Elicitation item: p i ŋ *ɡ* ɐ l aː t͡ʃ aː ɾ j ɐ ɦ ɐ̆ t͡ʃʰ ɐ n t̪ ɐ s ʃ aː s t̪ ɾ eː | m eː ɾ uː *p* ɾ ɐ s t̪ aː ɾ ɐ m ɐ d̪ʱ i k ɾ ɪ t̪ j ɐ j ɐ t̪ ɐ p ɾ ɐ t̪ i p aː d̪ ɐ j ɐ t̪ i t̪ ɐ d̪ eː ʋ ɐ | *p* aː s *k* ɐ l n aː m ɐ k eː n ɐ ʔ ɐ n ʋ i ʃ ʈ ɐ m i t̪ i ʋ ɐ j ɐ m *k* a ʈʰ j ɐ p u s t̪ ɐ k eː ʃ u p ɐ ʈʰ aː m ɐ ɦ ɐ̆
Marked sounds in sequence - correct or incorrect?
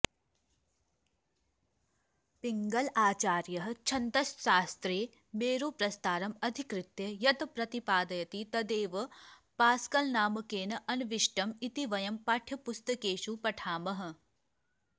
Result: correct, correct, correct, correct, incorrect

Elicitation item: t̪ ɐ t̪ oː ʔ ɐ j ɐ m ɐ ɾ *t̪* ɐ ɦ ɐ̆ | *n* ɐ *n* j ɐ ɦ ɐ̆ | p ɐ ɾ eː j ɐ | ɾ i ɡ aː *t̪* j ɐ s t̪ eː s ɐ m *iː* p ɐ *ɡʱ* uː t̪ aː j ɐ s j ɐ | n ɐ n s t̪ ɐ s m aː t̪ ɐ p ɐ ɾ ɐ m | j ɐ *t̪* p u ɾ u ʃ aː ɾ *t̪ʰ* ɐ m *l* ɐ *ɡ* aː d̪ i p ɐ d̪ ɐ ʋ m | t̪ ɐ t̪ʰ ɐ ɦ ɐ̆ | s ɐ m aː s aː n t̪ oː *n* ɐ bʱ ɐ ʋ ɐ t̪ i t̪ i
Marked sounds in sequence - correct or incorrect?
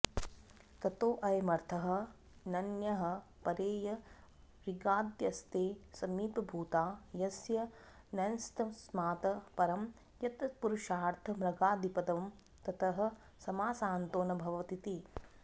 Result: incorrect, correct, correct, incorrect, correct, incorrect, correct, correct, incorrect, correct, correct

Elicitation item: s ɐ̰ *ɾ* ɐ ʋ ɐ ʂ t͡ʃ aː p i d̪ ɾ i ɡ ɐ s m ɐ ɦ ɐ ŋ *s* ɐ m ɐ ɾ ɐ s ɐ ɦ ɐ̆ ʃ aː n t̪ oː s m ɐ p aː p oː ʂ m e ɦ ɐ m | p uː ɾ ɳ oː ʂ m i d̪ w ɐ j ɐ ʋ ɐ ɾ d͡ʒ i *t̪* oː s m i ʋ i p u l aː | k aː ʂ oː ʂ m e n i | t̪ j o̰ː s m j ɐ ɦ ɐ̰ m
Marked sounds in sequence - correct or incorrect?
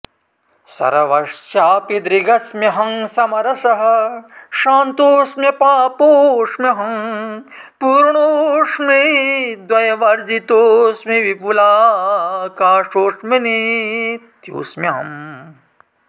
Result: correct, correct, correct

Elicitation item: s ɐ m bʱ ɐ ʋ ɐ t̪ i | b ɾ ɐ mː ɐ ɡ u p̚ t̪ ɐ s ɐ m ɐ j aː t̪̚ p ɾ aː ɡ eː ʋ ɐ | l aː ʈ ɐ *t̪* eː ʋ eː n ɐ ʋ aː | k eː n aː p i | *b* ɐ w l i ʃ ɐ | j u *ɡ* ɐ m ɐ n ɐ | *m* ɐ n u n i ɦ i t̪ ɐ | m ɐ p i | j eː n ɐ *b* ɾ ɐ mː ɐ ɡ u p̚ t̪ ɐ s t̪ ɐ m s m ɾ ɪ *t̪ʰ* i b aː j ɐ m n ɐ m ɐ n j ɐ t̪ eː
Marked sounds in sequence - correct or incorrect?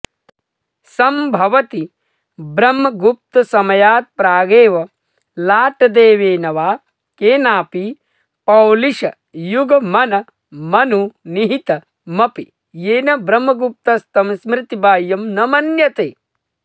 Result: incorrect, incorrect, correct, correct, correct, incorrect

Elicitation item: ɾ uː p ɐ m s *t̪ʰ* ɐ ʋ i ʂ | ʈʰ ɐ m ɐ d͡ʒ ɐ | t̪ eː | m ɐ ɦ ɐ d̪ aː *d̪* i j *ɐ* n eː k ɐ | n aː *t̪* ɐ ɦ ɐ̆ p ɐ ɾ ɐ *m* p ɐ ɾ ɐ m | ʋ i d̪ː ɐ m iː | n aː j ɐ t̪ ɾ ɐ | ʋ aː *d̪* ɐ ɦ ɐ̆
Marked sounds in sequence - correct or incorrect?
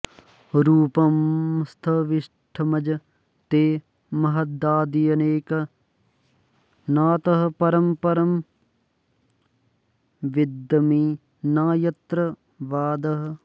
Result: correct, correct, correct, correct, correct, correct

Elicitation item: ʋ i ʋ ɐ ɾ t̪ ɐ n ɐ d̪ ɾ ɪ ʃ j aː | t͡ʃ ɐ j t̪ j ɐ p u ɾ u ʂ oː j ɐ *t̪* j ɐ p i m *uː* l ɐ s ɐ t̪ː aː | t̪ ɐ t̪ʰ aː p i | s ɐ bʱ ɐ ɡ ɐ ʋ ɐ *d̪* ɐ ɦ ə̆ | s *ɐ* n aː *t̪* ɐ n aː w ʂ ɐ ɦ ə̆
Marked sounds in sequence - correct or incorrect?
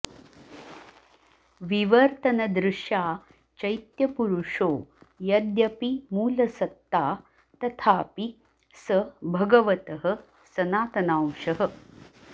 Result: incorrect, correct, incorrect, correct, correct

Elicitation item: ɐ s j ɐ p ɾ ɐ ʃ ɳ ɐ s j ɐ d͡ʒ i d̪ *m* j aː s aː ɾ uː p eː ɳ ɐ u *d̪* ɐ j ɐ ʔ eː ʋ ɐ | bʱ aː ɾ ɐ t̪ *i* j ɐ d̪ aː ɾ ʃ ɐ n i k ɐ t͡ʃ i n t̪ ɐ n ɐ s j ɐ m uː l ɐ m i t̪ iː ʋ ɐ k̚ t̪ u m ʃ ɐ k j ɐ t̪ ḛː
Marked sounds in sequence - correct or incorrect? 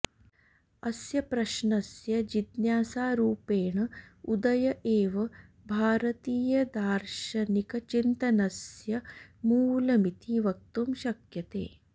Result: incorrect, correct, incorrect

